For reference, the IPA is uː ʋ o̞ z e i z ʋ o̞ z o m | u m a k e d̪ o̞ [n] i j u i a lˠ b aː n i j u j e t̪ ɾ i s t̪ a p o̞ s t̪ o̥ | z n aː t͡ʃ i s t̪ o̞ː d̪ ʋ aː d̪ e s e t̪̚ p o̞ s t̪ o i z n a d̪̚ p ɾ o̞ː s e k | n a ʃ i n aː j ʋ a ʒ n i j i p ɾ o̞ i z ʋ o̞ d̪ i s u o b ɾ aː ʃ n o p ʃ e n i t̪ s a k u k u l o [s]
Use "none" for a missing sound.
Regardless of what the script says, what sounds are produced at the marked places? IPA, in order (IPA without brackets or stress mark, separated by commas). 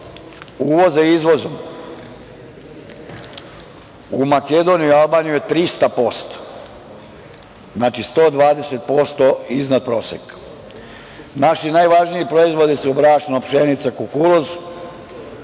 n, z